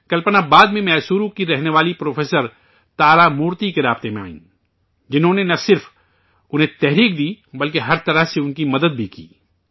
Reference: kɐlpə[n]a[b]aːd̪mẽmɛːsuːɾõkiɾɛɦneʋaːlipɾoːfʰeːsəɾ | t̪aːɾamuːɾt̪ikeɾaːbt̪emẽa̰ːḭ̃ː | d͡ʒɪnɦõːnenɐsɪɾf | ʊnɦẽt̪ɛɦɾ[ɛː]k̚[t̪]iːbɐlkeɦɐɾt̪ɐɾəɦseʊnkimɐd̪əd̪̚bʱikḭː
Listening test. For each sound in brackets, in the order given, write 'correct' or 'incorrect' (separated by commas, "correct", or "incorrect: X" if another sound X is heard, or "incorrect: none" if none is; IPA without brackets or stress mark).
correct, correct, incorrect: iː, incorrect: d̪